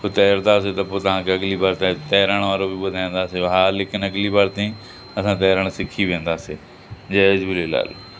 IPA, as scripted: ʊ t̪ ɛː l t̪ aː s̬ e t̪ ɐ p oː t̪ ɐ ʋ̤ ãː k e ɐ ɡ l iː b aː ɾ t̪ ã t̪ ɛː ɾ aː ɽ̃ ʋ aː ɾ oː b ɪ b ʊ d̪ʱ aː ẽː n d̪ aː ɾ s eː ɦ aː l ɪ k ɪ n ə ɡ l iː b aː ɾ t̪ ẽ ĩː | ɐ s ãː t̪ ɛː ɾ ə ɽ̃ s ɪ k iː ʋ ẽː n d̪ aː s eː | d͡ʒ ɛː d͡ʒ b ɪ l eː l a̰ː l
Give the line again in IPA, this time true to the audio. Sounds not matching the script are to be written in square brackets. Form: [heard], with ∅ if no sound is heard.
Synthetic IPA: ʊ t̪ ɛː [ɾ] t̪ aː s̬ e t̪ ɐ p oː t̪ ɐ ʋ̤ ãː k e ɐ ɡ l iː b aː ɾ t̪ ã t̪ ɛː ɾ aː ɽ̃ ʋ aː ɾ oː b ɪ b ʊ d̪ʱ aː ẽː n d̪ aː [∅] s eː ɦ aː l ɪ k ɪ n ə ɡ l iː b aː ɾ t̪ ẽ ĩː | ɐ s ãː t̪ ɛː ɾ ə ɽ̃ s ɪ [kʰ] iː ʋ ẽː n d̪ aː s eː | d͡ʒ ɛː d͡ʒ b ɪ l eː l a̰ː l